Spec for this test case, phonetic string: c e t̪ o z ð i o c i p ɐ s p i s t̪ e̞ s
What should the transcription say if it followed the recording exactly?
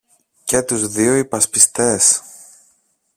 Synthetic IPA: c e t̪ u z ð i o i p ɐ s p i s t̪ e̞ s